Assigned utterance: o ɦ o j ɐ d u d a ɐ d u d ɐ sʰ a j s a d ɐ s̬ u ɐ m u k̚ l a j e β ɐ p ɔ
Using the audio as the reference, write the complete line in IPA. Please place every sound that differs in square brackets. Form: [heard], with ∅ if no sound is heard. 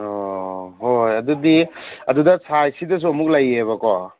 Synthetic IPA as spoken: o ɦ o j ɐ d u d [i] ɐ d u d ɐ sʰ a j s [i] d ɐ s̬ u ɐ m u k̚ l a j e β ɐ [k] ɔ

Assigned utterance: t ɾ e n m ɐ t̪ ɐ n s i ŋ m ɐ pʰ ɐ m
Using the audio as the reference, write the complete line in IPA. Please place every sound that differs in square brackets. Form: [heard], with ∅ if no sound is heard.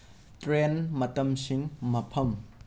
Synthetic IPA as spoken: t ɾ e n m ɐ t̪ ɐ [m] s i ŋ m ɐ pʰ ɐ m

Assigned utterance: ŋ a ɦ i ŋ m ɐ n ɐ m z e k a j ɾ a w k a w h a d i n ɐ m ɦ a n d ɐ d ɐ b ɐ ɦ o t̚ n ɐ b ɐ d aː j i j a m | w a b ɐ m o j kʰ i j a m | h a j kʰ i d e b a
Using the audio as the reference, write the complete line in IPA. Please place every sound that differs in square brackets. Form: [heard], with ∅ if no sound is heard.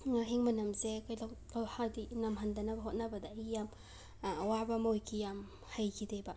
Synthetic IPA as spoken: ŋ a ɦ i ŋ m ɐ n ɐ m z e k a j [l] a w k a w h a d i n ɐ m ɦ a n d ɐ [n] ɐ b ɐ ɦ o t̚ n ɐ b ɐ d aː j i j a m | w a b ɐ m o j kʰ i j a m | h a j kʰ i d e b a

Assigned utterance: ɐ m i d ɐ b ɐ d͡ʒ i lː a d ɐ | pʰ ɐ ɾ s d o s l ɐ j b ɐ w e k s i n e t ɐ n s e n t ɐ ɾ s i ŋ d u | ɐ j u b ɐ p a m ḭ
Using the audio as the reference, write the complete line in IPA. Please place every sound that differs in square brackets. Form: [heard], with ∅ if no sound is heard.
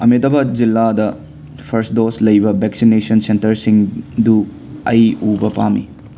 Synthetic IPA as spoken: ɐ m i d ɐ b ɐ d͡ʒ i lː a d ɐ | pʰ ɐ ɾ s d o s l ɐ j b ɐ [b] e k s i n e [s] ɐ n s e n t ɐ ɾ s i ŋ d u | ɐ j u b ɐ p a m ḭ

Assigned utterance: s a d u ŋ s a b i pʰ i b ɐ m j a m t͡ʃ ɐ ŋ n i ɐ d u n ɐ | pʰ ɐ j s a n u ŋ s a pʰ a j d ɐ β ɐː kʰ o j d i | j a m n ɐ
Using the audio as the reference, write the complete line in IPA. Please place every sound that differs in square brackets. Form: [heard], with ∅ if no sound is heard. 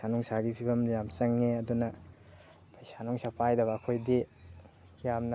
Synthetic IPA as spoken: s a [n] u ŋ s a [ɡ] i pʰ i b ɐ m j a m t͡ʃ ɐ ŋ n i ɐ d u n ɐ | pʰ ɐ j s a n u ŋ s a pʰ a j d ɐ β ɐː kʰ o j d i | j a m n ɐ

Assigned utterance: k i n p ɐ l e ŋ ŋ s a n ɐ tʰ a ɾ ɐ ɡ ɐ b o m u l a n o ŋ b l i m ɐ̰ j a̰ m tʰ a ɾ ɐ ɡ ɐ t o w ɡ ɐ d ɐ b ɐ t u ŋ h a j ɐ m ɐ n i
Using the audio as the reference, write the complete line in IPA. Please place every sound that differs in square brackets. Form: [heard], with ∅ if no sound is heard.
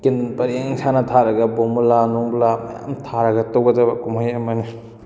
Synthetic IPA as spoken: k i n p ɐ [ɾ] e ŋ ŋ s a n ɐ tʰ a ɾ ɐ ɡ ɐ b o m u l a n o ŋ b l [a] m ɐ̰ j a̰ m tʰ a ɾ ɐ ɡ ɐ t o w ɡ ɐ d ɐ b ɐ [k] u [m] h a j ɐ m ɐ n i

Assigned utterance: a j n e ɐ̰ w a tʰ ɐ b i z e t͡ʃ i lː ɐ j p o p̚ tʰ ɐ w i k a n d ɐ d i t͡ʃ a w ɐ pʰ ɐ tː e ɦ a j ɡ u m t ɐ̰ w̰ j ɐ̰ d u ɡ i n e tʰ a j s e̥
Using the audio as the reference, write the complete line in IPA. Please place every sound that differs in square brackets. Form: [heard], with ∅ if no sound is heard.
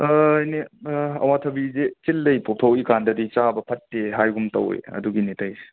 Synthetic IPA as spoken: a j n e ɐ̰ w a tʰ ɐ b i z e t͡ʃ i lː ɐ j p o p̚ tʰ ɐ w i k a n d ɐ d i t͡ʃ a [b] ɐ pʰ ɐ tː e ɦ a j ɡ u m t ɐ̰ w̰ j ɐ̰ d u ɡ i n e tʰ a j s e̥

